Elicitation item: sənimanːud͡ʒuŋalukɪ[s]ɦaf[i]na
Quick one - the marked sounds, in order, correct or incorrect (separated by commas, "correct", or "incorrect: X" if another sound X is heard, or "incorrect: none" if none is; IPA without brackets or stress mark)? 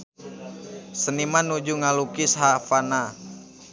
correct, incorrect: a